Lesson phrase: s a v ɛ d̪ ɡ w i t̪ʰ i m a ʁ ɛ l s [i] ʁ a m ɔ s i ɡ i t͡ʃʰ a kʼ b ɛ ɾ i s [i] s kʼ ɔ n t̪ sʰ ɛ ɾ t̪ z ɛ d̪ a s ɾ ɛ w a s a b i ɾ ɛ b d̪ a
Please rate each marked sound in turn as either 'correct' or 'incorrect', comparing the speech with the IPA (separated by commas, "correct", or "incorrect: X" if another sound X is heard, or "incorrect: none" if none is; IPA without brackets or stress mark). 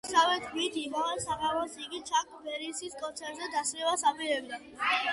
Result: incorrect: a, correct